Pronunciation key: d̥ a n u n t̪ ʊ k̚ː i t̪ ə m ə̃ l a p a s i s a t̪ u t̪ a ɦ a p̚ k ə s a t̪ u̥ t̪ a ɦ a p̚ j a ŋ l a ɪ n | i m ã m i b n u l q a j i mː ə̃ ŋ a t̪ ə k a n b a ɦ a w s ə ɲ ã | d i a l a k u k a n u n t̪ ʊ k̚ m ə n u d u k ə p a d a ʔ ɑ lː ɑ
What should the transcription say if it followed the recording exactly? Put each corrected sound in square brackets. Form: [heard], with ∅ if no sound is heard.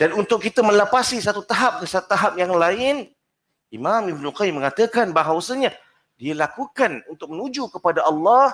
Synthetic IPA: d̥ a n u n t̪ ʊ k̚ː i t̪ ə m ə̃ l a p a s i s a t̪ u t̪ a ɦ a p̚ k ə s a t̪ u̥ t̪ a ɦ a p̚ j a ŋ l a ɪ n | i m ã m i b n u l q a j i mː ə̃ ŋ a t̪ ə k a n b a ɦ a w s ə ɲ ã | d i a l a k u k a n u n t̪ ʊ k̚ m ə n u [d͡ʒ] u k ə p a d a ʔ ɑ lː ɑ